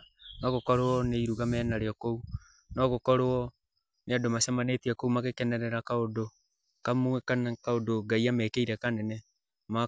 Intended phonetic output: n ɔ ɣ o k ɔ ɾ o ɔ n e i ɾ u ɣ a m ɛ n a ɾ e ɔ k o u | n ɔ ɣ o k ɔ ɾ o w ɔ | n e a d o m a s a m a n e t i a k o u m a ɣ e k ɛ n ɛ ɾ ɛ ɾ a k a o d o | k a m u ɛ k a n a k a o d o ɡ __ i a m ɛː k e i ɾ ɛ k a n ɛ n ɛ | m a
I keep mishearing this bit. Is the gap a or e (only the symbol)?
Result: a